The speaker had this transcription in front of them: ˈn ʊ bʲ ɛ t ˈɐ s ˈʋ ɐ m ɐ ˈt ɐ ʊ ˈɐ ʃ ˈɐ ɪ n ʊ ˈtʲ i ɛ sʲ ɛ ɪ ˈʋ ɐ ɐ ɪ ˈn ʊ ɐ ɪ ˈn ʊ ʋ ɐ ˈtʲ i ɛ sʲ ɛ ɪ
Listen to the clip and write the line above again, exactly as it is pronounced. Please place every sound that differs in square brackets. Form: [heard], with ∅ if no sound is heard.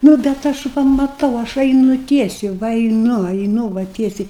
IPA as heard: ˈn ʊ bʲ ɛ t ˈɐ [ʃ] ˈʋ ɐ m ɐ ˈt ɐ ʊ ˈɐ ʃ ˈɐ ɪ n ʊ ˈtʲ i ɛ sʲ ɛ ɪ ˈʋ ɐ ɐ ɪ ˈn ʊ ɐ ɪ ˈn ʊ ʋ ɐ ˈtʲ i ɛ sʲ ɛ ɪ